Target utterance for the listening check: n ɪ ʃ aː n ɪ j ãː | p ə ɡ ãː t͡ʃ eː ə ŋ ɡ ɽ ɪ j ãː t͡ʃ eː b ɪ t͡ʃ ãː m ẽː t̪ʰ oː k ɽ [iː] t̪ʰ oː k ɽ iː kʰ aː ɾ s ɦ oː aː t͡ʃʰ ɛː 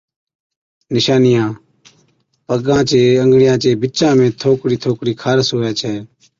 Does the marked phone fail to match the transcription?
no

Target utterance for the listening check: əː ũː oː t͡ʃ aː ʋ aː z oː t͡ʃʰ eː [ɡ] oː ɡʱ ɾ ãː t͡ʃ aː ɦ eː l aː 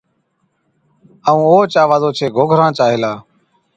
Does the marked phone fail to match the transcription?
no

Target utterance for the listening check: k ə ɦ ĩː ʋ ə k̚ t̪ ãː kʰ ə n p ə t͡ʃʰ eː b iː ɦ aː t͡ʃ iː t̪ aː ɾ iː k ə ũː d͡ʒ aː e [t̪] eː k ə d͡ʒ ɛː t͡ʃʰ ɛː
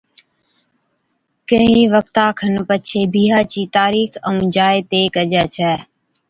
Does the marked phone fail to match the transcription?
no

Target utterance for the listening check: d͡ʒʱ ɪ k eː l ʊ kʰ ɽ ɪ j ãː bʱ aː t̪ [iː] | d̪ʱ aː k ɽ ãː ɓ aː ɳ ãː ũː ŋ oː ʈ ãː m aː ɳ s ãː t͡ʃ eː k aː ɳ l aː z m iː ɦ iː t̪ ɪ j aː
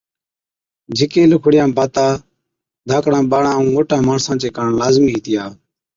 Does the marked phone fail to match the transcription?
yes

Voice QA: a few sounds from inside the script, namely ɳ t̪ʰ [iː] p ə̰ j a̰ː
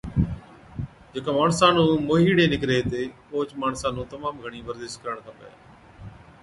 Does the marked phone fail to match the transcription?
yes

